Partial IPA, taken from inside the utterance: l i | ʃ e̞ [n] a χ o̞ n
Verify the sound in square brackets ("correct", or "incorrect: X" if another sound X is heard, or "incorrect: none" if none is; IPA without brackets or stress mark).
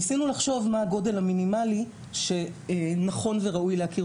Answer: correct